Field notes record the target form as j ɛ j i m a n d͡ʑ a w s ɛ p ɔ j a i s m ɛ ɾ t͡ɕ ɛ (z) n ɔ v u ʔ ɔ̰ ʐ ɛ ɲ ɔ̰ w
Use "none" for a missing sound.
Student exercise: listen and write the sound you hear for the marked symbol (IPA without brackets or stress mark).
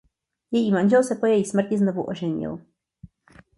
z